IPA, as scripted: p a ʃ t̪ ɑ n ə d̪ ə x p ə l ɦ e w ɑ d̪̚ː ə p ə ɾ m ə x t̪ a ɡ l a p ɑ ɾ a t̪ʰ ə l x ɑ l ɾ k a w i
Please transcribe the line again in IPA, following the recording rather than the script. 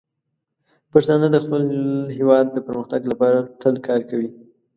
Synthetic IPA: p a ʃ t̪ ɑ n ə d̪ ə x p ə l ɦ e w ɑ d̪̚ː ə p ə ɾ m ə x t̪ a ɡ l a p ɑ ɾ a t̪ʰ ə l k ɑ ɾ k a w i